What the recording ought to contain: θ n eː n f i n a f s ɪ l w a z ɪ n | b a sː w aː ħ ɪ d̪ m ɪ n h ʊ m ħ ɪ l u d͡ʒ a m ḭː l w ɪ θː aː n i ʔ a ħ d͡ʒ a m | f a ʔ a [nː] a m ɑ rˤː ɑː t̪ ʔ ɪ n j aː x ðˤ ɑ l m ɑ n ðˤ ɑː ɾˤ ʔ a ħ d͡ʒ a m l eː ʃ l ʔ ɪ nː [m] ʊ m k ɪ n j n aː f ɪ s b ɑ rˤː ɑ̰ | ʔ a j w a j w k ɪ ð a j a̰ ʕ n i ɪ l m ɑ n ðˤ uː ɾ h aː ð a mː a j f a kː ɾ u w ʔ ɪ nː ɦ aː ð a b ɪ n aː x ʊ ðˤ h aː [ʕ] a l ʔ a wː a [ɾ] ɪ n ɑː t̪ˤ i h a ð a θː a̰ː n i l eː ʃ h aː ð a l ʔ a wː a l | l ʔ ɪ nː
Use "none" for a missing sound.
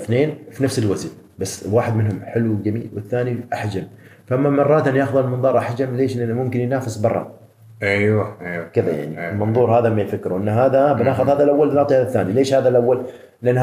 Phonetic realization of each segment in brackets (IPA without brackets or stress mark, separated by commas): mː, m, ð, l